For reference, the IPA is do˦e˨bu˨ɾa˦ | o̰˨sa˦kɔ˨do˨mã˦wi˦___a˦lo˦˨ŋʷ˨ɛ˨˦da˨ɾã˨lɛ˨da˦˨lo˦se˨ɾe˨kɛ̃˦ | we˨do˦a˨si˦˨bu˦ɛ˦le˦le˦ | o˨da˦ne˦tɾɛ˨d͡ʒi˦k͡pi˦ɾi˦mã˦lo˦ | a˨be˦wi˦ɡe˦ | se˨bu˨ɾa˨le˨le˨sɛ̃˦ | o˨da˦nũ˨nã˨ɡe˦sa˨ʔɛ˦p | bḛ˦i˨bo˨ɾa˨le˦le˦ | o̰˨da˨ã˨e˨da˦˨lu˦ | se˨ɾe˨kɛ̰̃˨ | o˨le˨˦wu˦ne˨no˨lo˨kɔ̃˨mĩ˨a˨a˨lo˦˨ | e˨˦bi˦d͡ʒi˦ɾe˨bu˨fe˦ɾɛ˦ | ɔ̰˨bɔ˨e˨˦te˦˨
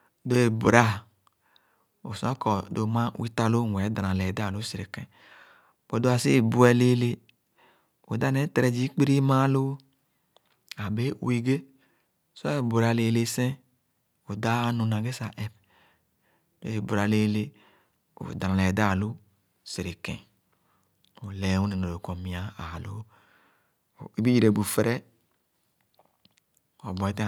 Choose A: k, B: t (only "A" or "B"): B